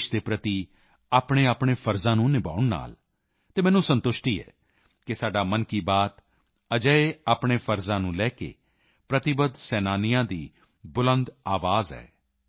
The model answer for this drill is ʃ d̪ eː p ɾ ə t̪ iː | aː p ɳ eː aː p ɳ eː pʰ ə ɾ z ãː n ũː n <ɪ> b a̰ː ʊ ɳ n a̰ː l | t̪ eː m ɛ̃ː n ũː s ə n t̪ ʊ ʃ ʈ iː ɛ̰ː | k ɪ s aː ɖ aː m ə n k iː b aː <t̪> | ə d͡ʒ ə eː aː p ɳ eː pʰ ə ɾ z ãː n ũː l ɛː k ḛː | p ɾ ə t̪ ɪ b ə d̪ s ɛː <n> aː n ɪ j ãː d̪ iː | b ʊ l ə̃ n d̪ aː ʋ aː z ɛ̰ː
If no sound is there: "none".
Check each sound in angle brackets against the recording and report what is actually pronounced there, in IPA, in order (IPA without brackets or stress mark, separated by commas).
ɪ, t̪, n